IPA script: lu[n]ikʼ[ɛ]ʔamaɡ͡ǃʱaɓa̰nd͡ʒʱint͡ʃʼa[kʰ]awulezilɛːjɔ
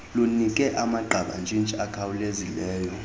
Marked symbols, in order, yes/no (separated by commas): yes, yes, yes